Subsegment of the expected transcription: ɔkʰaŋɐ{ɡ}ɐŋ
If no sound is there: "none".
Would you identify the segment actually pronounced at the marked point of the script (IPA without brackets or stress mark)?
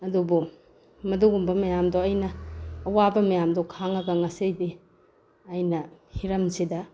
ɡ